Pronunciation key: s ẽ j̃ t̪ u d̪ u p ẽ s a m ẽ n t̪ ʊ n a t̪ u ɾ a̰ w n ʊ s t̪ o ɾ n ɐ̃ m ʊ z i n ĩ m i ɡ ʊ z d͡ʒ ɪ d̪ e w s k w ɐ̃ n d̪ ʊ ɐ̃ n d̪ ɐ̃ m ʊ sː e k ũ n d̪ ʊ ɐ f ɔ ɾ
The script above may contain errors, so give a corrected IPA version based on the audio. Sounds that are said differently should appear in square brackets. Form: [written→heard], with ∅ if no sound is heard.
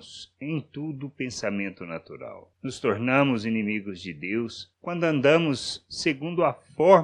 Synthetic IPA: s ẽ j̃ t̪ u d̪ [u→ʊ] p ẽ s a m ẽ n t̪ ʊ n a t̪ u ɾ a̰ w n ʊ s t̪ o ɾ n ɐ̃ m ʊ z i n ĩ m i ɡ ʊ z d͡ʒ ɪ d̪ e w s k w ɐ̃ n d̪ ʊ ɐ̃ n d̪ ɐ̃ m ʊ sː e [k→ɡ] ũ n d̪ ʊ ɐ f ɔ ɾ